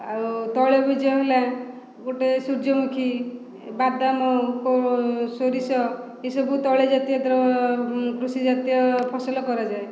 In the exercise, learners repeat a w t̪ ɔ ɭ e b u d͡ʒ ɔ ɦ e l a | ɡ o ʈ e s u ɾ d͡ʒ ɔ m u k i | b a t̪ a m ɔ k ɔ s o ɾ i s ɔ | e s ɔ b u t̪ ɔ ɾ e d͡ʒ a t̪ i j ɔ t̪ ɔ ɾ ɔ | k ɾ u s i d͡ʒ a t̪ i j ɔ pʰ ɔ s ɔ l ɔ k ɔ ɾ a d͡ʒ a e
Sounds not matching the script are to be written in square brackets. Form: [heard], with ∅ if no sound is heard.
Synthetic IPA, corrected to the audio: a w t̪ ɔ ɭ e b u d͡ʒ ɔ ɦ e l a | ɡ o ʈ e s u ɾ d͡ʒ ɔ m u [kʰ] i | b a [d̪] a m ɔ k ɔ s o ɾ i s ɔ | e s ɔ b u t̪ ɔ [ɭ] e d͡ʒ a t̪ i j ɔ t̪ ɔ ɾ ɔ | k ɾ u s i d͡ʒ a t̪ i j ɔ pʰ ɔ s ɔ l ɔ k ɔ ɾ a d͡ʒ a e

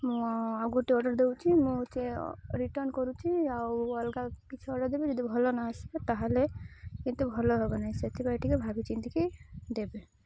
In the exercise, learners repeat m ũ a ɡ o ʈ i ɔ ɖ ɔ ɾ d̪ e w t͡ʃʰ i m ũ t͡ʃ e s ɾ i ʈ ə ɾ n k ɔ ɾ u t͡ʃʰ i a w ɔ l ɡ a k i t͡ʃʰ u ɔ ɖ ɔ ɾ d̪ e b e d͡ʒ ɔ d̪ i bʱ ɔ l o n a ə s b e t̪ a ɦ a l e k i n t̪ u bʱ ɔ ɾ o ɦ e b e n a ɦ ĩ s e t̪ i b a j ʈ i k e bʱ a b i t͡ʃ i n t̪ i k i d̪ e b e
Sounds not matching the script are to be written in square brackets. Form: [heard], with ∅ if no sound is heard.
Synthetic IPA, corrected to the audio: m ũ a ɡ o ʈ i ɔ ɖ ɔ ɾ d̪ e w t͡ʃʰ i m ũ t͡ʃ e [∅] ɾ i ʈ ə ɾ n k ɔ ɾ u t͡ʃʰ i a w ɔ l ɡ a k i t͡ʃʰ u ɔ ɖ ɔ ɾ d̪ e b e d͡ʒ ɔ d̪ i bʱ ɔ l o n a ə s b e t̪ a ɦ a l e k i n t̪ u bʱ ɔ [l] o ɦ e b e n a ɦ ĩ s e t̪ i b a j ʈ i k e bʱ a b i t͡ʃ i n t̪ i k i d̪ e b e

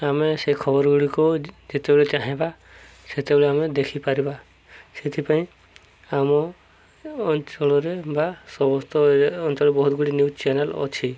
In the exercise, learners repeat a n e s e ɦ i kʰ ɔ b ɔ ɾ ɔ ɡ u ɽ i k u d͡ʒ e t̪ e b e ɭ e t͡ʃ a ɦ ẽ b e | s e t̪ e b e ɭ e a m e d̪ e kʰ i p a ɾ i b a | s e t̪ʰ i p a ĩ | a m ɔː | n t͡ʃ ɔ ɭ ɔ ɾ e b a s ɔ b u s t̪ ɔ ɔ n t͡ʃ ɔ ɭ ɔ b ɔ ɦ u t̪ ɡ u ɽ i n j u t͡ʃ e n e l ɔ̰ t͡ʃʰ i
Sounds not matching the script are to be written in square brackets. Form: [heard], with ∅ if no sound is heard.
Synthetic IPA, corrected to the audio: a [m] e s e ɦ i kʰ ɔ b ɔ ɾ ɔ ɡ u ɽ i k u d͡ʒ e t̪ e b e ɭ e t͡ʃ a ɦ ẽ b [a] | s e t̪ e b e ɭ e a m e d̪ e kʰ i p a ɾ i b a | s e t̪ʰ i p a ĩ | a m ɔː | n t͡ʃ ɔ ɭ ɔ ɾ e b a s ɔ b [ɔ] s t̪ ɔ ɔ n t͡ʃ ɔ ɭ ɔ b ɔ ɦ u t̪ ɡ u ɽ i n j u t͡ʃ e n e l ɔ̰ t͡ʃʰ i

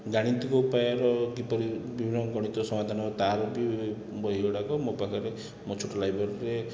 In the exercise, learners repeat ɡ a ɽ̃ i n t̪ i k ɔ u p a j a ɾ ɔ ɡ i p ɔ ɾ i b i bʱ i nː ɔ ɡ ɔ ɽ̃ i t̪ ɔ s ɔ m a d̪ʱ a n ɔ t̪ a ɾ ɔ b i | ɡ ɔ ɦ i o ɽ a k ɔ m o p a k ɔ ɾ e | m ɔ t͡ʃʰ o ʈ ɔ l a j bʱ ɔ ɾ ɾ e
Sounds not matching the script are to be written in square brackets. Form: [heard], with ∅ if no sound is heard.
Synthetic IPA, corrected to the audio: ɡ a ɽ̃ i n t̪ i k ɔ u p a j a ɾ ɔ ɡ i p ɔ ɾ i b i bʱ i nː ɔ ɡ ɔ ɽ̃ i t̪ ɔ s ɔ m a d̪ʱ a n ɔ t̪ a ɾ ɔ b i | [b] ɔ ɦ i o ɽ a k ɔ m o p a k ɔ ɾ e | m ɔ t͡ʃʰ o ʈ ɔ l a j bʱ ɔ ɾ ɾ e

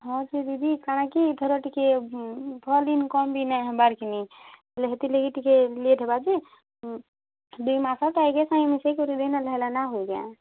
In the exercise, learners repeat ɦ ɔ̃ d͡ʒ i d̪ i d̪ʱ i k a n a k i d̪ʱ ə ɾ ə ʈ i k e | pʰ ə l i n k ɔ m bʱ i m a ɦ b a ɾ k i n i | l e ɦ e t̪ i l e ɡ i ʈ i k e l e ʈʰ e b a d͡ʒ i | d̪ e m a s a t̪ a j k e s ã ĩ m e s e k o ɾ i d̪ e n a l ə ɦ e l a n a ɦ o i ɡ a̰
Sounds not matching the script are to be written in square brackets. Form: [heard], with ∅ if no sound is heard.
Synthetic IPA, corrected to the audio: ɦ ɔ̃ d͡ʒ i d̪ i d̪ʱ i k a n a k i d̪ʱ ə ɾ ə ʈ i k e | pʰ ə l i n k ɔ m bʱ i [n] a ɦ b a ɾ k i n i | l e ɦ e t̪ i l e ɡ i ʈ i k e l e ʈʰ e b a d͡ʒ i | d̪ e m a s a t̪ a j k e s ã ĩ m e s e k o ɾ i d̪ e n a l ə ɦ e l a n a ɦ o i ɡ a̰

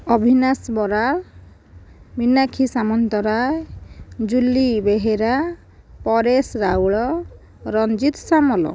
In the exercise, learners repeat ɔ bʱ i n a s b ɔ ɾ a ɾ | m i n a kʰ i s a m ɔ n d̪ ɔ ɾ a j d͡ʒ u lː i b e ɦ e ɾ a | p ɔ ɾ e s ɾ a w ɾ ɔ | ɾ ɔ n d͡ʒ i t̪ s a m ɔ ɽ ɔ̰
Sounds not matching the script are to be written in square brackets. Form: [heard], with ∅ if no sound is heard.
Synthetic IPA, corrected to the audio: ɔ bʱ i n a s b ɔ ɾ a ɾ | m i n a kʰ i s a m ɔ n [t̪] ɔ ɾ a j d͡ʒ u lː i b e ɦ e ɾ a | p ɔ ɾ e s ɾ a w [ɭ] ɔ | ɾ ɔ n d͡ʒ i t̪ s a m ɔ [l] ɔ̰

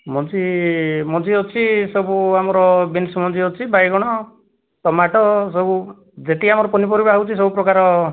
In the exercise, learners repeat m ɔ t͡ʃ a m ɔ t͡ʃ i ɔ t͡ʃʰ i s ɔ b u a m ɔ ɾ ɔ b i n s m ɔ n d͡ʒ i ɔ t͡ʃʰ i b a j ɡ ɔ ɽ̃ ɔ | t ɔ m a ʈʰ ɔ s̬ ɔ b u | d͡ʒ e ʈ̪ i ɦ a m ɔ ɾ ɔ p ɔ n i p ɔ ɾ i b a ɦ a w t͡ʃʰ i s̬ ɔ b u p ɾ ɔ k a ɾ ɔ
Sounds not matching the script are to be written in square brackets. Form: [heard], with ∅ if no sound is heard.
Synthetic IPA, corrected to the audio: m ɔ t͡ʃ [i] m ɔ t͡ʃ i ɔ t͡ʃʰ i s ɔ b u a m ɔ ɾ ɔ b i n s m ɔ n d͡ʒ i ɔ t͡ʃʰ i b a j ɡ ɔ ɽ̃ ɔ | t ɔ m a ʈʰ ɔ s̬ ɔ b u | d͡ʒ e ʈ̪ i [∅] a m ɔ ɾ ɔ p ɔ n i p ɔ ɾ i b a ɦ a w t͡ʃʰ i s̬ ɔ b u p ɾ ɔ k a ɾ ɔ

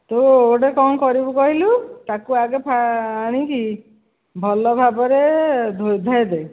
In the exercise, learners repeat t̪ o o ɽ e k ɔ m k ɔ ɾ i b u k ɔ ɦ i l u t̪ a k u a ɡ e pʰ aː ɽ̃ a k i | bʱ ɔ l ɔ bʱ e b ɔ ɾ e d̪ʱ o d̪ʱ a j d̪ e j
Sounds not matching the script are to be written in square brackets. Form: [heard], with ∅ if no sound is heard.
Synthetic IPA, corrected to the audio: t̪ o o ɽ e k ɔ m k ɔ ɾ i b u k ɔ ɦ i l u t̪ a k u a ɡ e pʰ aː ɽ̃ [i] k i | bʱ ɔ l ɔ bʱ [a] b ɔ ɾ e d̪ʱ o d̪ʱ a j d̪ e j

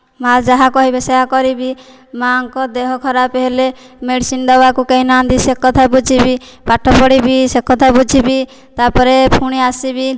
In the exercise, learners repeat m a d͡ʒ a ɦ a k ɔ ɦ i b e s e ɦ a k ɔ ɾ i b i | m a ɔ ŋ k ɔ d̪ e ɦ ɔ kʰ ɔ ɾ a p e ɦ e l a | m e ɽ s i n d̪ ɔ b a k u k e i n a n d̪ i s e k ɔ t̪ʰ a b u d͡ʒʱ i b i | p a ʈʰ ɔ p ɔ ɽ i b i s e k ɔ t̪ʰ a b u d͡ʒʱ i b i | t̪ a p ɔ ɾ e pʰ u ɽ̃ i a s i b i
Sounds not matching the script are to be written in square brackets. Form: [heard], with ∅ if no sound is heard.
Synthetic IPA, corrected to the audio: m a d͡ʒ a ɦ a k ɔ ɦ i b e s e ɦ a k ɔ ɾ i b i | m a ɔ ŋ k ɔ d̪ e ɦ ɔ kʰ ɔ ɾ a p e ɦ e l [e] | m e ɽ s i n d̪ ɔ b a k u k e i n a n d̪ i s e k ɔ t̪ʰ a b u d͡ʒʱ i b i | p a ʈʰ ɔ p ɔ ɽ i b i s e k ɔ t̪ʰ a b u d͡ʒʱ i b i | t̪ a p ɔ ɾ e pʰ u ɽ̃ i a s i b i

